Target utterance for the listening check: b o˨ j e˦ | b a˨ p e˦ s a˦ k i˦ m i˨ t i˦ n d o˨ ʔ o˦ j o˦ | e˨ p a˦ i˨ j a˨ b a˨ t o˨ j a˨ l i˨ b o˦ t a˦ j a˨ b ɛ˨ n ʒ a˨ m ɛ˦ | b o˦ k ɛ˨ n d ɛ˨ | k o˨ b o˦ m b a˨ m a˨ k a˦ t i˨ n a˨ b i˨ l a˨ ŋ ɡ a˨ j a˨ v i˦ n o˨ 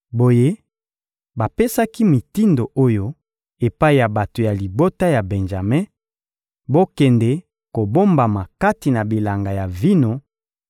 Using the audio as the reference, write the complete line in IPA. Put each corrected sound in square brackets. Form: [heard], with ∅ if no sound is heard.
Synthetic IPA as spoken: b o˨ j e˦ | b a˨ p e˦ s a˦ k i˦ m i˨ t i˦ n d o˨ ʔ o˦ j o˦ | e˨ p a˦ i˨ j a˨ b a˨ t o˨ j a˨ l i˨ b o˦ t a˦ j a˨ b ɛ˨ n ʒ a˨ m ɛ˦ | b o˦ k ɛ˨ n d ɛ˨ | k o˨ b o˦ m b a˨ m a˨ k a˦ t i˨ n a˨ b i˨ l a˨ ŋ ɡ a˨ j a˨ v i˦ n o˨